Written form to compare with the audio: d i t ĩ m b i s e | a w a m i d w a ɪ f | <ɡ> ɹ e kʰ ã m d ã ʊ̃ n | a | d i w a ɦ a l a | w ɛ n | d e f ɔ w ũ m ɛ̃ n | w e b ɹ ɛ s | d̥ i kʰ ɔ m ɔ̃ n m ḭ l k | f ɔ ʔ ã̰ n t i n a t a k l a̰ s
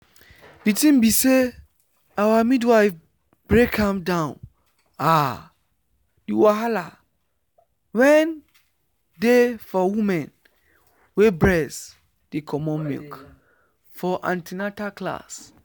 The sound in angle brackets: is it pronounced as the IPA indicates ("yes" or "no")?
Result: no